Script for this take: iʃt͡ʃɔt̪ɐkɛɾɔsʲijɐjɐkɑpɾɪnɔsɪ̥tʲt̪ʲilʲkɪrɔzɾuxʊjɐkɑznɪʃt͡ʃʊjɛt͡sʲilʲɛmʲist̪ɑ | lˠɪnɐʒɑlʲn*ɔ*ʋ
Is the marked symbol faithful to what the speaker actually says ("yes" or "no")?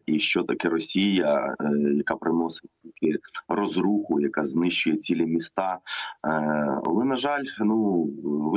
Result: no